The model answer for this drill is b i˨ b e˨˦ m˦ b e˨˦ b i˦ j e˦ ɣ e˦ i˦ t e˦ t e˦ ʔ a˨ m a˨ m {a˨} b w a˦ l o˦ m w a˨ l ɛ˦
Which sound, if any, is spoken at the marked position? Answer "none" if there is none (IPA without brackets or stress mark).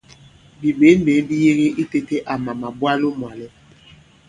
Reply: a˨